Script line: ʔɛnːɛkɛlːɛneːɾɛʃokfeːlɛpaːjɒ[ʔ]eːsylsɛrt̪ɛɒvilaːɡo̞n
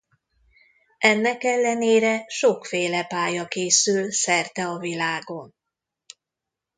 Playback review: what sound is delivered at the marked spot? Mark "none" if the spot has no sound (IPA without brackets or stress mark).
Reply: k